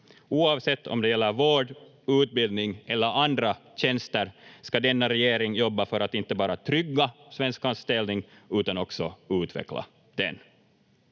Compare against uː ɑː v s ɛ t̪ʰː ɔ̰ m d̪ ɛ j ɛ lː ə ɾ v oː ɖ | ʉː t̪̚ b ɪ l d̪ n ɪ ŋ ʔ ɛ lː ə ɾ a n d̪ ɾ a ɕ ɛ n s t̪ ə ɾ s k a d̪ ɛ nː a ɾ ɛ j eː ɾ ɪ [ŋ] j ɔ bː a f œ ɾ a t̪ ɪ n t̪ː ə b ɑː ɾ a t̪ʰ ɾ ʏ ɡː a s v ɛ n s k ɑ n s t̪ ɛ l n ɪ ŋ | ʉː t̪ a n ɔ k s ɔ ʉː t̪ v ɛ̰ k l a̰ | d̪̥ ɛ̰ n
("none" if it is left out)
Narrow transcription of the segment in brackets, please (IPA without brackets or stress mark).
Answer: ŋ